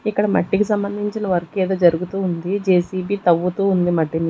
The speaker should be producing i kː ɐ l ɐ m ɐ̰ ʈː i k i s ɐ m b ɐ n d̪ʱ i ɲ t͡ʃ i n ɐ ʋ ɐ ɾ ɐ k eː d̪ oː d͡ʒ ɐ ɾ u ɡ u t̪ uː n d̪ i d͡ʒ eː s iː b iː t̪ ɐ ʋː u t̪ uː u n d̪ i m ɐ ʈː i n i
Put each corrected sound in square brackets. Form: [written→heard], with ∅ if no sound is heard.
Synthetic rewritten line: i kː ɐ [l→ɽ] ɐ m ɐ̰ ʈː i k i s ɐ m b ɐ n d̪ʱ i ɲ t͡ʃ i n ɐ ʋ ɐ ɾ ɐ k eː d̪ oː d͡ʒ ɐ ɾ u ɡ u t̪ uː n d̪ i d͡ʒ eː s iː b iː t̪ ɐ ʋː u t̪ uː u n d̪ i m ɐ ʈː i n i